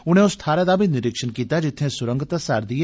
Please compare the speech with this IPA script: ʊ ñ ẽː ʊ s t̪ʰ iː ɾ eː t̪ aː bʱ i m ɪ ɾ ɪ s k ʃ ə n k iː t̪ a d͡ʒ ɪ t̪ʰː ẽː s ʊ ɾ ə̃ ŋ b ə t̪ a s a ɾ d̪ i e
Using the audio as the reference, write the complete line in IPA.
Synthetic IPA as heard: ʊ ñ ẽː ʊ s t̪ʰ aː ɾ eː d̪ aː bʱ i n ɪ ɾ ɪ k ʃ ə n k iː t̪ a d͡ʒ ɪ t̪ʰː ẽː s ʊ ɾ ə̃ ŋ ɡ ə t̪ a s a ɾ d̪ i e